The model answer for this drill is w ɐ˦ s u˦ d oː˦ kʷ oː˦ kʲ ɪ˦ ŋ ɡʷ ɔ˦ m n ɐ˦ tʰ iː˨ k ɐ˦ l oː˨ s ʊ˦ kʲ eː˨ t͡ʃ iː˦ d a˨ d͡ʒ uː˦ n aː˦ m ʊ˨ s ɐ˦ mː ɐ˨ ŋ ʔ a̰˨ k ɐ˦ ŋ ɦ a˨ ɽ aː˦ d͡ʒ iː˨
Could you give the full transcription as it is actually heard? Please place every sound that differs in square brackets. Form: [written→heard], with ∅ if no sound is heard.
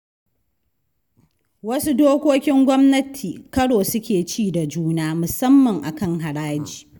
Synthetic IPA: w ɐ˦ s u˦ d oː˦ kʷ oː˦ kʲ ɪ˦ ŋ ɡʷ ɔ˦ m n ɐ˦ tʰ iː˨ k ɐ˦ [l→ɽ] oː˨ s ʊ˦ kʲ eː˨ t͡ʃ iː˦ d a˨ d͡ʒ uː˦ n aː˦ m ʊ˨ s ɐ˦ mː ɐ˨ ŋ ʔ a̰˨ k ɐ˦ ŋ ɦ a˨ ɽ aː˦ d͡ʒ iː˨